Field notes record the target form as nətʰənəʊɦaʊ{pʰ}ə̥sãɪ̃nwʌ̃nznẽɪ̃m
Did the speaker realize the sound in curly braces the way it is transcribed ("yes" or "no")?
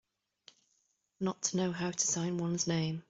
no